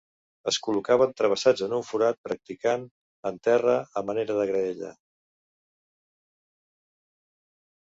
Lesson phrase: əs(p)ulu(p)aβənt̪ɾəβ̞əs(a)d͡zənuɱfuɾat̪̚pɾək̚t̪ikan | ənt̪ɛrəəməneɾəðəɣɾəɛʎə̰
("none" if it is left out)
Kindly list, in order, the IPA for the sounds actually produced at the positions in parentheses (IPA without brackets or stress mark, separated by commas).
k, k, a